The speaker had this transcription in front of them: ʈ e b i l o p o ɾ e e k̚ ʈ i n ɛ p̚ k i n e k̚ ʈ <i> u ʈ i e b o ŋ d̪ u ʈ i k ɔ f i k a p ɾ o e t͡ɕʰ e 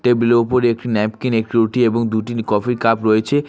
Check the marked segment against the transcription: correct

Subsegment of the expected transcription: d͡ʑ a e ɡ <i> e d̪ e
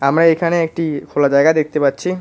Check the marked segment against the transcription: incorrect: a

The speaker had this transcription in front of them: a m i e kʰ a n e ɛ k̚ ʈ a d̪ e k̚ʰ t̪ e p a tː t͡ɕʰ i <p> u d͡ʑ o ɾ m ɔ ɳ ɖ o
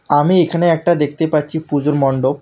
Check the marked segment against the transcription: correct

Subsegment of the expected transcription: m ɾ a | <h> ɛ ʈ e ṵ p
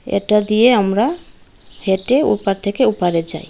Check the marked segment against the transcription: correct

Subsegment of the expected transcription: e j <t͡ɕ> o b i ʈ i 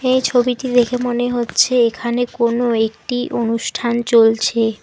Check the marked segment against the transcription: incorrect: t͡ɕʰ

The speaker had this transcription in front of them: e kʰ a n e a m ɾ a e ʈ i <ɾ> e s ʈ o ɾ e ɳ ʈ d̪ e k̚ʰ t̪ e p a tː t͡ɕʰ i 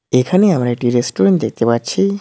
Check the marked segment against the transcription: correct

